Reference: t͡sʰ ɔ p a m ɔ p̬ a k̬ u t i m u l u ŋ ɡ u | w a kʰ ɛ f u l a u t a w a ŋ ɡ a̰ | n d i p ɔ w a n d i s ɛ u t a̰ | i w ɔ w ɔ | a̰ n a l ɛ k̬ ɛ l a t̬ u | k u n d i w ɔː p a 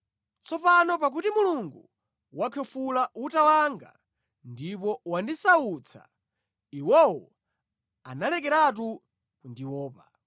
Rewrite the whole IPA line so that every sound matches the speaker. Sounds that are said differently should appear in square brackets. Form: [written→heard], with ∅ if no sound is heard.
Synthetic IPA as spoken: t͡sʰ ɔ p a [m→n] ɔ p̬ a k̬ u t i m u l u ŋ ɡ u | w a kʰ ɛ f u l a u t a w a ŋ ɡ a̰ | n d i p ɔ w a n d i s [ɛ→a] u [t→t͡sʰ] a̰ | i w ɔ w ɔ | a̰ n a l ɛ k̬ ɛ [l→ɾ] a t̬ u | k u n d i w ɔː p a